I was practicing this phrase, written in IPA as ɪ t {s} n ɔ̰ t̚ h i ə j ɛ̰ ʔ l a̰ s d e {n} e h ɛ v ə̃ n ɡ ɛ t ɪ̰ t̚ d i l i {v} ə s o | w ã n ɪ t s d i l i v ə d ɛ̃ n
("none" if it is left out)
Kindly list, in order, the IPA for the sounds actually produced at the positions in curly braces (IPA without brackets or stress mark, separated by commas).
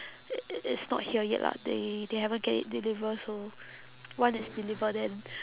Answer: s, d, v